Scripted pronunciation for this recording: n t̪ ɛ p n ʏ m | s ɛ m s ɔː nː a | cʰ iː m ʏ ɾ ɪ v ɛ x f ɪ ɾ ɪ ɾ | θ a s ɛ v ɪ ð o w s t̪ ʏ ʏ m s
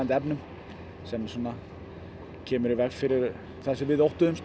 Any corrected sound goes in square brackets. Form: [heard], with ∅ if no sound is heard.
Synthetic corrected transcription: n t̪ ɛ p n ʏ m | s ɛ m s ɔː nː a | cʰ [ɛː] m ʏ ɾ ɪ v ɛ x f ɪ ɾ ɪ ɾ | θ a s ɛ v ɪ ð o w [h] t̪ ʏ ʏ m s

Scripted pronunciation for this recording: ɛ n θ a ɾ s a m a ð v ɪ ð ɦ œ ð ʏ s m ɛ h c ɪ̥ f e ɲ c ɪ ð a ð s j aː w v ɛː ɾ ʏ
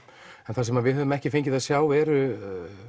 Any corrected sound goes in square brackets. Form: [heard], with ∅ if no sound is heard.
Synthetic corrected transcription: ɛ n θ a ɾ s [ɛ] m a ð v ɪ ð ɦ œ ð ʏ [∅] m ɛ h c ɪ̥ f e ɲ c ɪ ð a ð s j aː w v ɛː ɾ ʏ

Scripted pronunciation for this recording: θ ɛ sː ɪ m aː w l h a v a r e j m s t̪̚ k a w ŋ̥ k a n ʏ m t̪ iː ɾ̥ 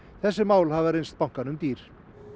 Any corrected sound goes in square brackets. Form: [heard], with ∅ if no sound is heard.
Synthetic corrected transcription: θ ɛ sː ɪ m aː w l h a v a [ɾ] e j [n] s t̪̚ [p] a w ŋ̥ k a n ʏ m t̪ iː ɾ̥

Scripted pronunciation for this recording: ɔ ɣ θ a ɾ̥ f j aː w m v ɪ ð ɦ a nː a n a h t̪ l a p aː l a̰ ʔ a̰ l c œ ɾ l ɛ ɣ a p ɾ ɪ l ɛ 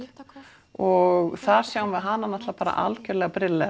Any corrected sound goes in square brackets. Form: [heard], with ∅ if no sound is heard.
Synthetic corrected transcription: ɔ ɣ θ a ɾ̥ [s] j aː w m v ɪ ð ɦ a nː a n a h t̪ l a p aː [ɾ] a̰ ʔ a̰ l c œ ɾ l ɛ ɣ a p ɾ ɪ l ɛ

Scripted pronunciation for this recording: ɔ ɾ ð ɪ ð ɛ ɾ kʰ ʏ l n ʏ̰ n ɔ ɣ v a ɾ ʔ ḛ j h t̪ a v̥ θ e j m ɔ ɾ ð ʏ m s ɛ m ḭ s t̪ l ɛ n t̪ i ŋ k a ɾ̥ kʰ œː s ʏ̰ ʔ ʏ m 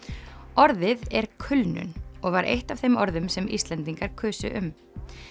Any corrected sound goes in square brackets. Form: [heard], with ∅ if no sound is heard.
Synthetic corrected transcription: ɔ ɾ ð ɪ ð ɛ ɾ kʰ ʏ l n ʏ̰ n ɔ ɣ v a ɾ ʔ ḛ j h t̪ a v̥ θ e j m ɔ ɾ ð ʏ m s ɛ m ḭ s t̪ l ɛ n t̪ i ŋ k a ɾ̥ kʰ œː s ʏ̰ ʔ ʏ m

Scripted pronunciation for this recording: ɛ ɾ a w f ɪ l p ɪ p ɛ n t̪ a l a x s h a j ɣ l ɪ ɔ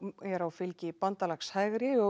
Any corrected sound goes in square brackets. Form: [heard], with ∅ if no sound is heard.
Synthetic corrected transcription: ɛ ɾ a w f ɪ l [c] ɪ p [a] n t̪ a l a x s h a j ɣ [ɾ] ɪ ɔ

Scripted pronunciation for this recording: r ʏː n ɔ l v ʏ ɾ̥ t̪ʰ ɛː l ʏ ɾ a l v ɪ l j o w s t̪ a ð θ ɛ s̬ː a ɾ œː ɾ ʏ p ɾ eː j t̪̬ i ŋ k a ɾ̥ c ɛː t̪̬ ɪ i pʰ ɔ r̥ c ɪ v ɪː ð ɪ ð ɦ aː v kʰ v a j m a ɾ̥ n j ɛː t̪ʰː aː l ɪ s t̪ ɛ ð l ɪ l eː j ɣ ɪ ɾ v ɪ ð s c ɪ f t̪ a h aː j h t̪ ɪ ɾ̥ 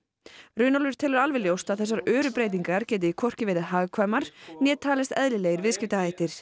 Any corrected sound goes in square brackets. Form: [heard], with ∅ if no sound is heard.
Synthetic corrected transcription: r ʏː n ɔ l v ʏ ɾ̥ t̪ʰ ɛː l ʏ ɾ a l v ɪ l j o w s t̪ a ð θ ɛ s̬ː a ɾ œː ɾ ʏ p ɾ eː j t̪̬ i ŋ k a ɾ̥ c ɛː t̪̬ ɪ i [kʰ] ɔ r̥ c ɪ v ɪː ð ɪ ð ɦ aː [ɣ] kʰ v a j m a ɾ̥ n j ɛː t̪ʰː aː l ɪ s t̪ ɛ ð l ɪ l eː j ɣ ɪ ɾ v ɪ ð s c ɪ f t̪ a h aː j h t̪ ɪ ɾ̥

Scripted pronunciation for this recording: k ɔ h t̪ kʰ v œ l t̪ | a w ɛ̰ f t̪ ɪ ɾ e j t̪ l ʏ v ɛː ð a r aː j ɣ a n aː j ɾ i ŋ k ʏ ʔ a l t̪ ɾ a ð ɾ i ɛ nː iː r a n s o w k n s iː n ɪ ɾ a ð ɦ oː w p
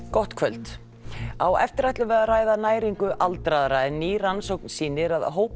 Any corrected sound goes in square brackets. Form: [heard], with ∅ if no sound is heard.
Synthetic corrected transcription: k ɔ h t̪ kʰ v œ l t̪ | a w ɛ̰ f t̪ ɪ ɾ [a] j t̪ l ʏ v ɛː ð a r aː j [ð] a n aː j ɾ i ŋ k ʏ ʔ a l t̪ ɾ a ð ɾ [a] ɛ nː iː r a n s o w k n s iː n ɪ ɾ a ð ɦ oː w p

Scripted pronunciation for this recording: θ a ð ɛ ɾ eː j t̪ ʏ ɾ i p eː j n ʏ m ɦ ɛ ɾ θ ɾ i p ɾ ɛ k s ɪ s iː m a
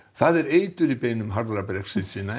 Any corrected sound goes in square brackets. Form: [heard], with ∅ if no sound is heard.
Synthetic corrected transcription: θ a ð ɛ ɾ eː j t̪ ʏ ɾ i p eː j n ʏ m ɦ [a] ɾ [ð] ɾ [a] p ɾ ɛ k s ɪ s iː [n] a

